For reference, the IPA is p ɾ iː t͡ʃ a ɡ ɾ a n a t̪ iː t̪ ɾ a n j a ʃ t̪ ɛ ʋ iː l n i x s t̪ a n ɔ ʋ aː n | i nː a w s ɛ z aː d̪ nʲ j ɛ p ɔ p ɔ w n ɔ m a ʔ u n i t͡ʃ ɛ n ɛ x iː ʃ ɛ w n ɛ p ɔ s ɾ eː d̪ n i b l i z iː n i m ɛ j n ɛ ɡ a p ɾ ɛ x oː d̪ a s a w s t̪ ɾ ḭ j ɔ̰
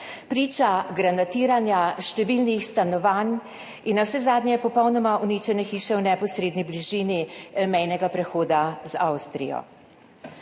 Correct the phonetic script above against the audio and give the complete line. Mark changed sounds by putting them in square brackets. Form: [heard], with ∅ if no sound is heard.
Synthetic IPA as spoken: p ɾ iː t͡ʃ a ɡ ɾ a n a t̪ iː [∅] ɾ a n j a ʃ t̪ ɛ ʋ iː l n i x s t̪ a n ɔ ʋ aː n | i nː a w s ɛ z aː d̪ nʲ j ɛ p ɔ p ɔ w n ɔ m a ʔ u n i t͡ʃ ɛ n ɛ x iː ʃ ɛ w n ɛ p ɔ s ɾ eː d̪ n i b l i [ʒ] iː n i m ɛ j n ɛ ɡ a p ɾ ɛ x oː d̪ a [z] a w s t̪ ɾ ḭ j ɔ̰